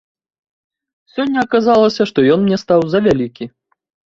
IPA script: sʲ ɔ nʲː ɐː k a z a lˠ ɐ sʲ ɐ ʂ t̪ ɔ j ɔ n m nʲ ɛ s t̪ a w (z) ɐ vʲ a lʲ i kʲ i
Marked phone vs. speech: correct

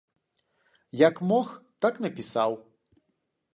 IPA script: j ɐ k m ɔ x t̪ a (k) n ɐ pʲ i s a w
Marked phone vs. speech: correct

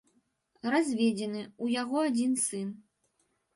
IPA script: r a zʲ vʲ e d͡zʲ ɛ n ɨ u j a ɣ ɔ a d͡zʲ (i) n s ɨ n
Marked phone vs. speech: correct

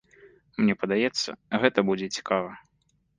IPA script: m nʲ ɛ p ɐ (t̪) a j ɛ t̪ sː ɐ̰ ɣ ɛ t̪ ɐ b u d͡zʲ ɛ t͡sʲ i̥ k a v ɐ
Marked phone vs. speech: incorrect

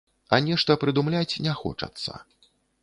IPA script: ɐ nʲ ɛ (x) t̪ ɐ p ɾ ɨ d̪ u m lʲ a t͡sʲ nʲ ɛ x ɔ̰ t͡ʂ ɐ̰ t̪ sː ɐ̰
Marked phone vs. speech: incorrect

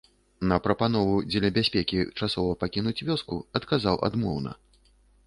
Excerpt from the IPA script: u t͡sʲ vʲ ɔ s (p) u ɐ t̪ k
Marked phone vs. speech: incorrect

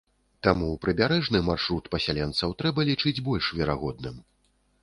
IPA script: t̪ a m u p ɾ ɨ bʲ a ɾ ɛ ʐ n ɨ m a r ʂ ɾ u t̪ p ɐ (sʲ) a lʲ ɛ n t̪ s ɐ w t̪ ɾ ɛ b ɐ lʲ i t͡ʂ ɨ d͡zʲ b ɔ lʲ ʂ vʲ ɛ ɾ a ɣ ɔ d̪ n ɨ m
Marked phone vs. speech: correct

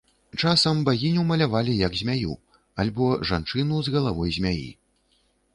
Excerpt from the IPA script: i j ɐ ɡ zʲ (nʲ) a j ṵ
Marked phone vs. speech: incorrect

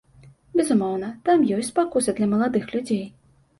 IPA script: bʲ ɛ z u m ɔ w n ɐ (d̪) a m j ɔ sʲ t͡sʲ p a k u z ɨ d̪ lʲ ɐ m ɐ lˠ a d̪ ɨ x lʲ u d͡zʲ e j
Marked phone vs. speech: incorrect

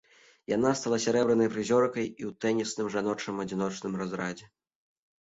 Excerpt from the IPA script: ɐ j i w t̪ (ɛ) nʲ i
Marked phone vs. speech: correct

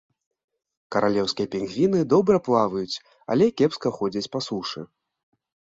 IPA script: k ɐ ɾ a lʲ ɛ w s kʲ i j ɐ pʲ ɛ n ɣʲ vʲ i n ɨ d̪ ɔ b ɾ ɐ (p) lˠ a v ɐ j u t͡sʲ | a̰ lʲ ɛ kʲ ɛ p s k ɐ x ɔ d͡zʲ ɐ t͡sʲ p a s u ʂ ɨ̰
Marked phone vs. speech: correct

